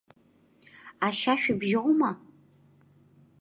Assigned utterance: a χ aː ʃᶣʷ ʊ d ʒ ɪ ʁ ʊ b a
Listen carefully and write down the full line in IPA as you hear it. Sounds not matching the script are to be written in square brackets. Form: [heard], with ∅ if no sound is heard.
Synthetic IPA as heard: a [ʃ] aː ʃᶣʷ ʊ [b] ʒ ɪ ʁ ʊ [m] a